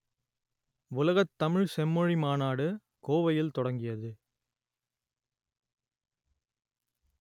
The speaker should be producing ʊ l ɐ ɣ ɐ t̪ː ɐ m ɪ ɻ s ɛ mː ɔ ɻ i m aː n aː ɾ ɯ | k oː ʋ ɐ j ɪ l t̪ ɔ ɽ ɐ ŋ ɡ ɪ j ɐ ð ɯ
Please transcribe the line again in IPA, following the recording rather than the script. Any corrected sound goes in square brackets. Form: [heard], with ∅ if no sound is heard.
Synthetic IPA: ʊ l ɐ ɣ ɐ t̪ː ɐ m ɪ ɻ s ɛ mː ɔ ɻ i m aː n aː [ɽ] ɯ | k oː ʋ ɐ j ɪ l t̪ ɔ ɽ ɐ ŋ ɡ ɪ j ɐ ð ɯ